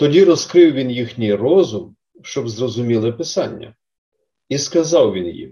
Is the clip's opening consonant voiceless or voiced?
voiceless